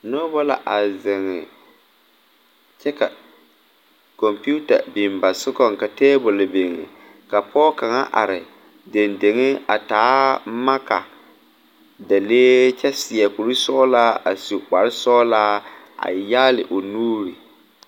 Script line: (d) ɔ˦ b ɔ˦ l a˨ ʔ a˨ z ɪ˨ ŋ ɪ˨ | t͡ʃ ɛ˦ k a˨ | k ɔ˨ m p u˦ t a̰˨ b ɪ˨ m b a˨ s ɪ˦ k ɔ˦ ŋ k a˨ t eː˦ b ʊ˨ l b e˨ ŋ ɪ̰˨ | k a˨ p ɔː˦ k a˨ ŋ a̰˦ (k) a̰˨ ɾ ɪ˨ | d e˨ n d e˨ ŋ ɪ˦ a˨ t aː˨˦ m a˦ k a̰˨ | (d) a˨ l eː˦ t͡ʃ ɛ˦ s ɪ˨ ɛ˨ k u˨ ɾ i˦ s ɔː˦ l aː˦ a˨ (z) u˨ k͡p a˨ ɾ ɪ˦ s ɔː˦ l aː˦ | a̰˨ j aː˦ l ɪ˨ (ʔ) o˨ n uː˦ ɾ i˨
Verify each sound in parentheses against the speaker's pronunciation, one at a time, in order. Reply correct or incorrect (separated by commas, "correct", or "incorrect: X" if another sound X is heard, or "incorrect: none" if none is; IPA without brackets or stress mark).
incorrect: n, incorrect: ʔ, correct, incorrect: s, correct